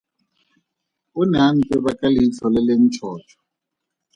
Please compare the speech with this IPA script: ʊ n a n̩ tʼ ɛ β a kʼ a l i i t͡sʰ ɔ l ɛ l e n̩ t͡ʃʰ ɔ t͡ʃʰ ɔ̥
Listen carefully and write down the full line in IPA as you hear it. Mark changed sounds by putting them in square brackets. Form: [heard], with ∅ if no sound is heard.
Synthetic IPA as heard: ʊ n a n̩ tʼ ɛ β a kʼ a l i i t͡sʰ ɔ l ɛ l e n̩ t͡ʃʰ [ɔː] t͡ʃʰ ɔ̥